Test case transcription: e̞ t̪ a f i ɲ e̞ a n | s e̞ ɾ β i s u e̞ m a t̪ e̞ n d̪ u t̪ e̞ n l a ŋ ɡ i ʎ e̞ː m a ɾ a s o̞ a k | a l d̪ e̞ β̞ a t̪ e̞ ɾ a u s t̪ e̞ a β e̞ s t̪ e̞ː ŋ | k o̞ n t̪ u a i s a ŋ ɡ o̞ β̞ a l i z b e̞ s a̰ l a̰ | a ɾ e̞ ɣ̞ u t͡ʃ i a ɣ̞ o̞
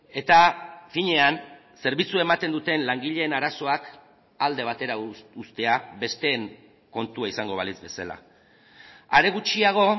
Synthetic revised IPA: e̞ t̪ a f i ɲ e̞ a n | s e̞ ɾ β i t͡s u e̞ m a t̪ e̞ n d̪ u t̪ e̞ n l a ŋ ɡ i ʎ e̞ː n a ɾ a s o̞ a k | a l d̪ e̞ β̞ a t̪ e̞ ɾ a u s t̪ e̞ a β e̞ s t̪ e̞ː ŋ | k o̞ n t̪ u a i s a ŋ ɡ o̞ β̞ a l i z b e̞ s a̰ l a̰ | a ɾ e̞ ɣ̞ u t͡ʃ i a ɣ̞ o̞